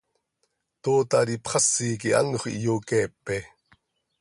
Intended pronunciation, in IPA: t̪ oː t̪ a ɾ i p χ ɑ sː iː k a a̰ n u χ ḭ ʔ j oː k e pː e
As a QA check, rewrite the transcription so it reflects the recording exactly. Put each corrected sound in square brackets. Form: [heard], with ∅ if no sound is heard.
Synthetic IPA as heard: t̪ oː t̪ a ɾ i p χ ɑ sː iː k [i] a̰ n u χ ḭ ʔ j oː k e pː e